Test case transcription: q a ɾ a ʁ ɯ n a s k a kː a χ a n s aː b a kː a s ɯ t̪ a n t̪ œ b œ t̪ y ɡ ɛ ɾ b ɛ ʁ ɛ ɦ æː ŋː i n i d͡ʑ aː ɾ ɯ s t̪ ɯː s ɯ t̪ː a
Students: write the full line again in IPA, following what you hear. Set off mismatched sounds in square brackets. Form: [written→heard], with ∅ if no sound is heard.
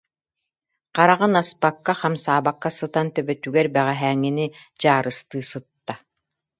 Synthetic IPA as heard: q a ɾ a ʁ ɯ n a s [k→p] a kː a χ a [n→m] s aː b a kː a s ɯ t̪ a n t̪ œ b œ t̪ y ɡ ɛ ɾ b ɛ ʁ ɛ ɦ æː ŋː i n i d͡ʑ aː ɾ ɯ s t̪ ɯː s ɯ t̪ː a